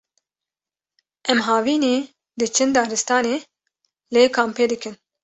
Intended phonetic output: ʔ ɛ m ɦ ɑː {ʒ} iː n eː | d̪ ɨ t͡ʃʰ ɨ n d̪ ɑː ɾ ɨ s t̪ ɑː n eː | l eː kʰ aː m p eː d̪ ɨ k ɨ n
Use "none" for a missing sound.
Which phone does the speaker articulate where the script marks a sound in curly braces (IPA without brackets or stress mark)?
v